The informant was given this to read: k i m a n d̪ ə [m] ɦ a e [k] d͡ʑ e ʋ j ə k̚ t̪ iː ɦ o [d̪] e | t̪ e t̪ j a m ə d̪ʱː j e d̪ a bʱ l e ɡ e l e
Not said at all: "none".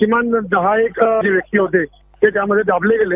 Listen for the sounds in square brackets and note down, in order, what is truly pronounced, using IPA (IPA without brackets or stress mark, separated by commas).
none, k, t̪